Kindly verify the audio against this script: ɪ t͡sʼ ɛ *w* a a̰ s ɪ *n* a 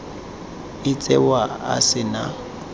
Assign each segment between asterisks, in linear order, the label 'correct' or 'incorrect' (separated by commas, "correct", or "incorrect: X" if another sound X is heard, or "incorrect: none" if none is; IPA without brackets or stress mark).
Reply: correct, correct